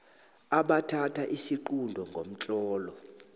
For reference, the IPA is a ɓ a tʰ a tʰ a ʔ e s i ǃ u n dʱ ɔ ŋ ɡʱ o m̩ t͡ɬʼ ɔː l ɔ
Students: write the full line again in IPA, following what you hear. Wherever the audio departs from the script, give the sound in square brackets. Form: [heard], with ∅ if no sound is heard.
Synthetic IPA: a ɓ a tʰ a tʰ a ʔ [i] s i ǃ u n dʱ ɔ ŋ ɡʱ o m̩ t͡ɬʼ ɔː l ɔ

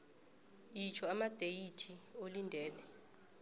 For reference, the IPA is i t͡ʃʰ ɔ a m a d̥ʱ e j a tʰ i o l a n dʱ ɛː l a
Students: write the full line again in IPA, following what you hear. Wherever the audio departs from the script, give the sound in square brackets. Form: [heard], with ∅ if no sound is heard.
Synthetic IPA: i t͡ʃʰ ɔ a m a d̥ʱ e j [i] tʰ i o l [i] n dʱ ɛː l [ɛ]

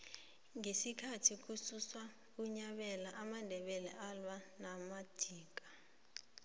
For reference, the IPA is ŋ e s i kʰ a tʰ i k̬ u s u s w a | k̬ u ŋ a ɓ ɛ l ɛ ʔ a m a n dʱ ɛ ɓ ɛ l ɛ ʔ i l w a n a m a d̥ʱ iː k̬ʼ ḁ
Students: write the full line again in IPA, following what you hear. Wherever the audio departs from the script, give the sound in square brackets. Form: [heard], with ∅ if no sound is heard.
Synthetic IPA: ŋ e s i kʰ a tʰ i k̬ u s u s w a | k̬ u [ɲ] a ɓ ɛ l [a] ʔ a m a n dʱ ɛ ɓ ɛ l ɛ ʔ [a] l w a n a m a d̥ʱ iː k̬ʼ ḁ

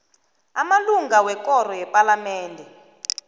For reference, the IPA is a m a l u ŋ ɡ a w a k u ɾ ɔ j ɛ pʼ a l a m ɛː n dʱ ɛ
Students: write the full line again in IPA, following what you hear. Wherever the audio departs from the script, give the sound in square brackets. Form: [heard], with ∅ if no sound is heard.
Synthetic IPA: a m a l u ŋ ɡ a w [ɛ] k [ɔ] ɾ ɔ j ɛ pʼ a l a m ɛː n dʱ ɛ

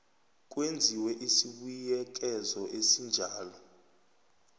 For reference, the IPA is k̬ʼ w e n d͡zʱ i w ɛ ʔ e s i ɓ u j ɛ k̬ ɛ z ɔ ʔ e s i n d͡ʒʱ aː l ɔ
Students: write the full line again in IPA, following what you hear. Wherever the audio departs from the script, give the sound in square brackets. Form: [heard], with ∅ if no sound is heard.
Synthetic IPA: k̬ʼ w e n d͡zʱ i w ɛ ʔ [i] s i ɓ u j ɛ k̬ ɛ z ɔ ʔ e s i n d͡ʒʱ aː l ɔ

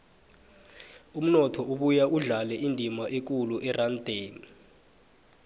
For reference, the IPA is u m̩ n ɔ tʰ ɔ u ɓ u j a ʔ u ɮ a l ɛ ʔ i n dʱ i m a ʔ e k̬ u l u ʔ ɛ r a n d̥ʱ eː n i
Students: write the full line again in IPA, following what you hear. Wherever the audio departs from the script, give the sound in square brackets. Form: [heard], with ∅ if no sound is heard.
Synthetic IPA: u m̩ n ɔ tʰ ɔ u ɓ u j a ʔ u ɮ a l ɛ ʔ i n dʱ i m a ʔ e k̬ u l u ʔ ɛ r a n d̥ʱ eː n i

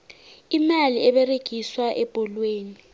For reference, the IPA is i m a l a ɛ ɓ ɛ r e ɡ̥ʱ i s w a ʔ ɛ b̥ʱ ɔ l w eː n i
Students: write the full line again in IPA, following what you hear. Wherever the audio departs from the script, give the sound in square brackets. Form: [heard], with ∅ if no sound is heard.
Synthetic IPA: i m a l [i] ɛ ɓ ɛ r e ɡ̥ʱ i s w a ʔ ɛ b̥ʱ ɔ l w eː n i

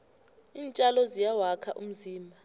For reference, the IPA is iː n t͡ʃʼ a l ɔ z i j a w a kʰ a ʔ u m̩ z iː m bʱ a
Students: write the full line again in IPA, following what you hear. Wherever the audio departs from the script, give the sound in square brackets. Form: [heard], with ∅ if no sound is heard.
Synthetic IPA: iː n t͡ʃʼ a l ɔ z i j a w a kʰ a ʔ u m̩ z iː m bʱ a

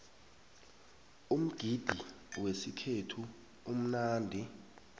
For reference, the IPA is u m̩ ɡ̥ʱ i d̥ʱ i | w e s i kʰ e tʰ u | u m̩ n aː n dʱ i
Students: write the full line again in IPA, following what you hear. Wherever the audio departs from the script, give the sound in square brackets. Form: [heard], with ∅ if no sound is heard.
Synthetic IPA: u m̩ ɡ̥ʱ i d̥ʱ i | w e s i kʰ e tʰ u | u m̩ n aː n dʱ i

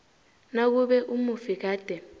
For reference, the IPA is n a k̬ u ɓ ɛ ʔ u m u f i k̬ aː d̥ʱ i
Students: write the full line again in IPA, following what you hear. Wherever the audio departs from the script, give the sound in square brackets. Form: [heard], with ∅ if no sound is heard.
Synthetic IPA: n a k̬ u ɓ ɛ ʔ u m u f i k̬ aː d̥ʱ [ɛ]

